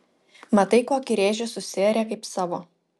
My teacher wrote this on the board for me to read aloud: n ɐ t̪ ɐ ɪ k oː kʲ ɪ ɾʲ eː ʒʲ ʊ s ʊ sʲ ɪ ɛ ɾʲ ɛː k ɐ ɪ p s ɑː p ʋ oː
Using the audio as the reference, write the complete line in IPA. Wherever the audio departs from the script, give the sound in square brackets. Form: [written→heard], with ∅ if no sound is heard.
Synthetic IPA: [n→m] ɐ t̪ ɐ ɪ k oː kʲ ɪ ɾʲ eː ʒʲ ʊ s ʊ sʲ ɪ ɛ ɾʲ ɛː k ɐ ɪ p s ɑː [p→∅] ʋ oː